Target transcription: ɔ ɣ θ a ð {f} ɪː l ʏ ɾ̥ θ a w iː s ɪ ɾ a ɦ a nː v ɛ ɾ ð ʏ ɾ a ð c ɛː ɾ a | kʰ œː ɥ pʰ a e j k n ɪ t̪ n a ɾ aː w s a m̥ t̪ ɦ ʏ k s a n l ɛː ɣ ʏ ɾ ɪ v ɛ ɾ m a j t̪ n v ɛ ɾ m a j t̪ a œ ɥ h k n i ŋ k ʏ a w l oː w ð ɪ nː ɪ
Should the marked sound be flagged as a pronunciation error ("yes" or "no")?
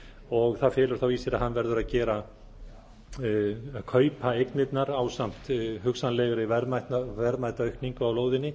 no